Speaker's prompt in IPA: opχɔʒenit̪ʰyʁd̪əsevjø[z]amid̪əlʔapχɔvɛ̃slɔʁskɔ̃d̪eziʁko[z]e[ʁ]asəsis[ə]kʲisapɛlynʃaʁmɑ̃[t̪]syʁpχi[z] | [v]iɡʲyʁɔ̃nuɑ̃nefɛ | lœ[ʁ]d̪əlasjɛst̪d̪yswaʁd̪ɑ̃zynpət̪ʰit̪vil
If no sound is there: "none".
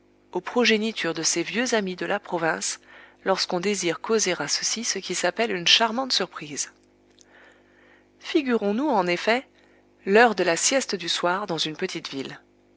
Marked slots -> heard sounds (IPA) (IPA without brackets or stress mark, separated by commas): z, z, ʁ, ə, t̪, z, f, ʁ